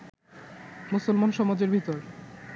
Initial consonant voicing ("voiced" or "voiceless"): voiced